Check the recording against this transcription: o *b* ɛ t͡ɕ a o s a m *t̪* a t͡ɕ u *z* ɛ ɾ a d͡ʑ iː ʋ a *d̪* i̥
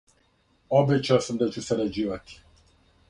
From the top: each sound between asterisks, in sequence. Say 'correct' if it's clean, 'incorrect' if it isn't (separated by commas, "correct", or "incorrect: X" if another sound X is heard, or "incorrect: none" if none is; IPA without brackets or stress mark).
correct, incorrect: d̪, incorrect: s, incorrect: t̪